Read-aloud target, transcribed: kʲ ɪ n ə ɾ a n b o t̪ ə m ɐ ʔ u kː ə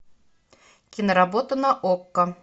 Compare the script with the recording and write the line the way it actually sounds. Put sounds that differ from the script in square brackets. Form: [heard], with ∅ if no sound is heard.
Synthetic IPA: kʲ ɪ n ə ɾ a [∅] b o t̪ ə [n] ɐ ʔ [o] kː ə